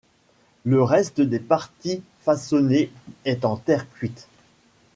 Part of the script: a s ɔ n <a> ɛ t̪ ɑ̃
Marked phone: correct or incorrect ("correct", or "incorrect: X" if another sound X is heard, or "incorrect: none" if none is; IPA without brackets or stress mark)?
incorrect: e